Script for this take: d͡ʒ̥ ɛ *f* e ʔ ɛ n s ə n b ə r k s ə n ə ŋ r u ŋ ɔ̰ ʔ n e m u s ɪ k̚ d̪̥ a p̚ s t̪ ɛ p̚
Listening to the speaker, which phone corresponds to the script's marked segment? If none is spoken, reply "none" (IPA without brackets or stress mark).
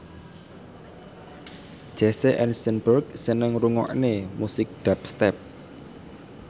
s